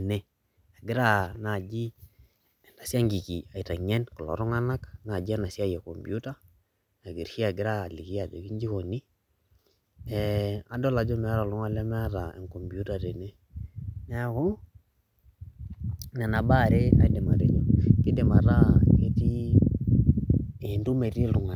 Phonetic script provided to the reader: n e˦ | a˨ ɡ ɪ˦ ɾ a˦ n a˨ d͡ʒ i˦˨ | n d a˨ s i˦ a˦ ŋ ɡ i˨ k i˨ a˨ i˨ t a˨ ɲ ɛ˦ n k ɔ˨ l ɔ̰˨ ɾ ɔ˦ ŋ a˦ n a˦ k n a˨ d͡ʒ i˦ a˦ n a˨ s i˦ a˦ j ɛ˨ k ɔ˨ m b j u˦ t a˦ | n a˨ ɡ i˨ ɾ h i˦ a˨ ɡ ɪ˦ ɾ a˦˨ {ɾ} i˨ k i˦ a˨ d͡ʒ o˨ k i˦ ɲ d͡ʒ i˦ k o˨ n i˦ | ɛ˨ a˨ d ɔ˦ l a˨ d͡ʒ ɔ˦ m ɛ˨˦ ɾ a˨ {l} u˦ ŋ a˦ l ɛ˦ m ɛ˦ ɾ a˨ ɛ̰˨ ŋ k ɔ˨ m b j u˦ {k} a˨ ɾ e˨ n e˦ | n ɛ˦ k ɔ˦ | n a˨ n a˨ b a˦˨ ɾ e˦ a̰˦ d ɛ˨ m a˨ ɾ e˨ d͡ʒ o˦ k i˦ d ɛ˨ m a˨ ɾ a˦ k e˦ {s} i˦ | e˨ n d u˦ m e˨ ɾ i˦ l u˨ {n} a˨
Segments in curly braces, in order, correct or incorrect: incorrect: l, correct, incorrect: t, incorrect: t, incorrect: ŋ

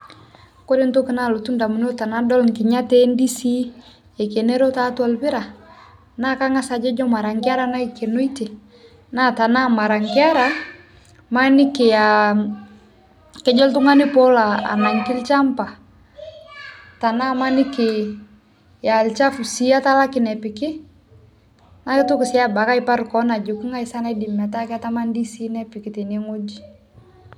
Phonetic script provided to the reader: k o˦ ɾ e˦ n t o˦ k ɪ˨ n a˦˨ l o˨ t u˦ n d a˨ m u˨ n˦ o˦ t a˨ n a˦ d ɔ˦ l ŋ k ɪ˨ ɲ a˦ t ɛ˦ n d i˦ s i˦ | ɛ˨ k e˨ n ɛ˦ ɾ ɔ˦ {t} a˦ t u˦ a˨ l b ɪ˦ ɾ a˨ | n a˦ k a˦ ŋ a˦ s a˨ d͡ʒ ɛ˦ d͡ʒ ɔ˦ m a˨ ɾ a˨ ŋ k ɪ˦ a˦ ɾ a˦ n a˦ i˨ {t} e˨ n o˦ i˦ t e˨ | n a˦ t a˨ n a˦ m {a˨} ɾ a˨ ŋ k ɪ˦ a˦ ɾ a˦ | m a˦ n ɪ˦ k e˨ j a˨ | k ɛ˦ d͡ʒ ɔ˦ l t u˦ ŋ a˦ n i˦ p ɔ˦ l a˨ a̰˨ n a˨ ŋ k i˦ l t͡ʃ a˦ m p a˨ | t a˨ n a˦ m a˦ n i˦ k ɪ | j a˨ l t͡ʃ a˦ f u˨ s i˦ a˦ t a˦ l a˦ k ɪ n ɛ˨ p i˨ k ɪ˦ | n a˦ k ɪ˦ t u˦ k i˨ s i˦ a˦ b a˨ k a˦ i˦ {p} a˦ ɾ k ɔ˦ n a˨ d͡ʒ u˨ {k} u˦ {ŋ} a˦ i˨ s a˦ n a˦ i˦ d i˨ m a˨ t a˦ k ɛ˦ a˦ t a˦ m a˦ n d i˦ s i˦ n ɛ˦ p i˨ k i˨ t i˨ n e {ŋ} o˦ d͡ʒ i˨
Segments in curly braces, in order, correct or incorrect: correct, incorrect: k, correct, correct, correct, correct, correct

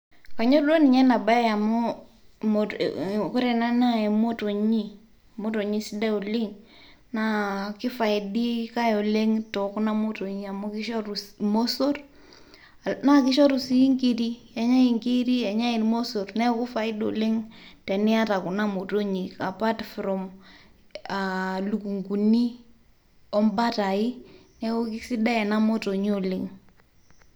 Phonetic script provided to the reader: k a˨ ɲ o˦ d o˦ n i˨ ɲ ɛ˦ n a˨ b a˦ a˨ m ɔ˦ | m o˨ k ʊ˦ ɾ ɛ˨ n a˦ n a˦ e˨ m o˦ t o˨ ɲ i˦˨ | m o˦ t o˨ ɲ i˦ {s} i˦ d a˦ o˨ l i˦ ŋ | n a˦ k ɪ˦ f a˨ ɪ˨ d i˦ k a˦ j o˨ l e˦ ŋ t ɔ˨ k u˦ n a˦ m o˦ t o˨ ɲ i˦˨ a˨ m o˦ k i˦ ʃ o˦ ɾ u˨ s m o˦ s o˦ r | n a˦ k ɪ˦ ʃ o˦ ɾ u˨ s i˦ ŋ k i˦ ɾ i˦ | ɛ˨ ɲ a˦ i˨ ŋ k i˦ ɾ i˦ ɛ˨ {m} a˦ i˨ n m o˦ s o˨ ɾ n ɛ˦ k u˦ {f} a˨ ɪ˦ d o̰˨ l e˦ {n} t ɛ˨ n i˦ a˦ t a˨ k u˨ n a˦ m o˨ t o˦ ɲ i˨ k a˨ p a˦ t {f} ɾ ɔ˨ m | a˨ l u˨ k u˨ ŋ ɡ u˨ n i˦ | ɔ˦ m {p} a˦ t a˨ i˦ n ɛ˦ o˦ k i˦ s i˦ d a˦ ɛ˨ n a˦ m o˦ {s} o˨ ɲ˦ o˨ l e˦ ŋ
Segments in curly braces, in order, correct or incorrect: correct, incorrect: ɲ, correct, incorrect: ŋ, correct, incorrect: b, incorrect: t

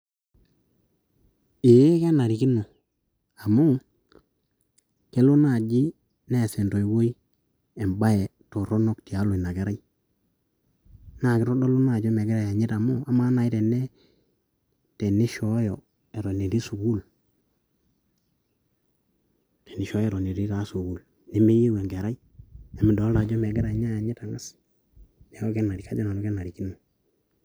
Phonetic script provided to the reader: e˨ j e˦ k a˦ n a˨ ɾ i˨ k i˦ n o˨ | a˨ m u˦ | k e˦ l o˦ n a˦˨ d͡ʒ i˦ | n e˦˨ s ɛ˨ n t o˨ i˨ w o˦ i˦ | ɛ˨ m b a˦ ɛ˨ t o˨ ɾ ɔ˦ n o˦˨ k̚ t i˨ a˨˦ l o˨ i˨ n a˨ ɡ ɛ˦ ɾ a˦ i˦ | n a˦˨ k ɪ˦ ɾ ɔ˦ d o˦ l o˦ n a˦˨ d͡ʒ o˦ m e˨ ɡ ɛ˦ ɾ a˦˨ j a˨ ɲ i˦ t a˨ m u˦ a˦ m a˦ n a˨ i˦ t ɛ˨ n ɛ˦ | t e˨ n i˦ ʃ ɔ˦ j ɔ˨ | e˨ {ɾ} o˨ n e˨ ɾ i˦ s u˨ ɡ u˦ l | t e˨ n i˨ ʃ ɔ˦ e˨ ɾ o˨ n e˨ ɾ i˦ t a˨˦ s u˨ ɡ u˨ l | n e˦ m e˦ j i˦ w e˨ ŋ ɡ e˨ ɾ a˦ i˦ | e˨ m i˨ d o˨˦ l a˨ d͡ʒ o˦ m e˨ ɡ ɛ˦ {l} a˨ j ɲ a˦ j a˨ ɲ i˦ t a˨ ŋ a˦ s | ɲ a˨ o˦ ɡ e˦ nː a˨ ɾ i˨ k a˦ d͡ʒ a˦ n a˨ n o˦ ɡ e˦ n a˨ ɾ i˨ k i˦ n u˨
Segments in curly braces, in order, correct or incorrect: correct, incorrect: ɾ

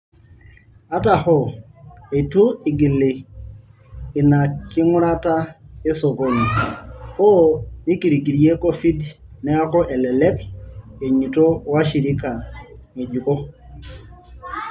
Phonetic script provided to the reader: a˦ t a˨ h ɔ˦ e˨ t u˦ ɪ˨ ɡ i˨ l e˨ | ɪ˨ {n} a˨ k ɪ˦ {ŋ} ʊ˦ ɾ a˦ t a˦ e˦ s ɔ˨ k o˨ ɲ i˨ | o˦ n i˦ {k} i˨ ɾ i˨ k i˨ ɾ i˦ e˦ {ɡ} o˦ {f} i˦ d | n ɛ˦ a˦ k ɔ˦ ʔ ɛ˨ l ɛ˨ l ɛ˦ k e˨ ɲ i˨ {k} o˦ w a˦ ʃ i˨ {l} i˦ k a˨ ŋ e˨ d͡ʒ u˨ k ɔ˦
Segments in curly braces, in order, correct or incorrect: correct, correct, correct, incorrect: k, correct, incorrect: t, incorrect: ɾ

